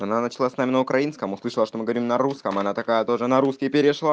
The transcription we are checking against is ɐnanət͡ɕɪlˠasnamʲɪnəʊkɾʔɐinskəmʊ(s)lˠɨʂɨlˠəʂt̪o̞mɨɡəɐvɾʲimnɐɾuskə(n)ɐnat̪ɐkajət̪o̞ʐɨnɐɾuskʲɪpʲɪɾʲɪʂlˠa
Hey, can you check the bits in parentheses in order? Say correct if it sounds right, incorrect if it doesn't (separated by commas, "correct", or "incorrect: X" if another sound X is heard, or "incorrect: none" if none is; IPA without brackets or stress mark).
correct, incorrect: m